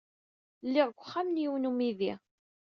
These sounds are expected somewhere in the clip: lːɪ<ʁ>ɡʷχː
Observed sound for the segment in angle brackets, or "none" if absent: ʁ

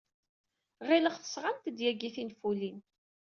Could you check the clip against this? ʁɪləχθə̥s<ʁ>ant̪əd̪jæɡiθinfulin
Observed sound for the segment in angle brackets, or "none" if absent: ʁ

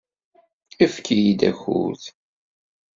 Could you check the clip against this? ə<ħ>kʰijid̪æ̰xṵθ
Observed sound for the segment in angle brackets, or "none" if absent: f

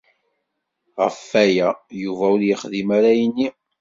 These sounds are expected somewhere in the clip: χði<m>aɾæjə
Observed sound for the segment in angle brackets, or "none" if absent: m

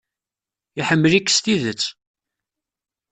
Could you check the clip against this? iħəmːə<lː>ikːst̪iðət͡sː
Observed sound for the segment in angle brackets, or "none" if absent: l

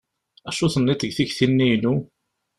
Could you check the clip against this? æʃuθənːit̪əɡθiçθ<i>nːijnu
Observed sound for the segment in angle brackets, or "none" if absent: i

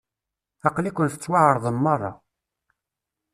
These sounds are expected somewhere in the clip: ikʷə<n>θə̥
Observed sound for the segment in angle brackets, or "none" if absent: n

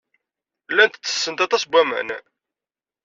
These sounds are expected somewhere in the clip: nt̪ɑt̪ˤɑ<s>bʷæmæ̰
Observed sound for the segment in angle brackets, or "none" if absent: s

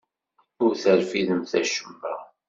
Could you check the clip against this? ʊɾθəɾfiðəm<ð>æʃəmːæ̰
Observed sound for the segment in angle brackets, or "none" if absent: θ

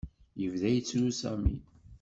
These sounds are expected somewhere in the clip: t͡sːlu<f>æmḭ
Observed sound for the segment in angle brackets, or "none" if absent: s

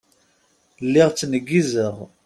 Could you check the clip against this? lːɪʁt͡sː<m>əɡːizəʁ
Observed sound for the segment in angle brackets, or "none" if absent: n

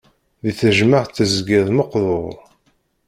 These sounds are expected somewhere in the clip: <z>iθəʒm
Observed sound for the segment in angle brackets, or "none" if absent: ð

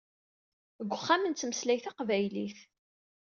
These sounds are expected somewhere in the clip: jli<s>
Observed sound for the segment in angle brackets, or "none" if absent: θ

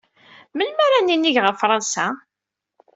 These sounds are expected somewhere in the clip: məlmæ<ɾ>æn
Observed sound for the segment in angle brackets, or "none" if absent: ɾ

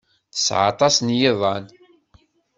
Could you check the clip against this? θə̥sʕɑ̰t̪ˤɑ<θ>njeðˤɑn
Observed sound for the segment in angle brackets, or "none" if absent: s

